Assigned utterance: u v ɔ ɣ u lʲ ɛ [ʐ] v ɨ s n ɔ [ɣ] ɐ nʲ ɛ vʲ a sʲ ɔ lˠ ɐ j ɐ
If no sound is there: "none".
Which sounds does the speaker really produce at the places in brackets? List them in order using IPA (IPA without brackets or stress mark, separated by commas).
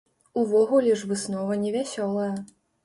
ʐ, v